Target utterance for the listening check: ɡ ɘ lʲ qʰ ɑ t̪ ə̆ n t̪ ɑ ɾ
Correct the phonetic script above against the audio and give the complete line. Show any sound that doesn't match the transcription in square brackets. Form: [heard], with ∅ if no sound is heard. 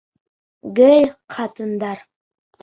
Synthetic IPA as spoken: ɡ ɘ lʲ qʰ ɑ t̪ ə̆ n [d̪] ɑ ɾ